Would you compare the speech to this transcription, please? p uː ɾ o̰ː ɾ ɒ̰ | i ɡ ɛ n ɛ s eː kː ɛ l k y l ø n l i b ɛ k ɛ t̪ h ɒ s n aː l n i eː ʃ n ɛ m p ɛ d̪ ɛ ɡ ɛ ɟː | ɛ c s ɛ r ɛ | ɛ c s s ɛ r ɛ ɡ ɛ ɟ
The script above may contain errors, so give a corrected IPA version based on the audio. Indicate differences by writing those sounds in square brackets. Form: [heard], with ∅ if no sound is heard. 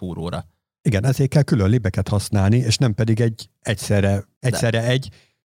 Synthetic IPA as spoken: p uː ɾ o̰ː ɾ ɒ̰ | i ɡ ɛ n ɛ [z] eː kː ɛ l k y l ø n l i b ɛ k ɛ t̪ h ɒ s n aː l n i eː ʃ n ɛ m p ɛ d̪ [i] ɡ ɛ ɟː | ɛ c s ɛ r ɛ | ɛ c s s ɛ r ɛ [∅] ɛ ɟ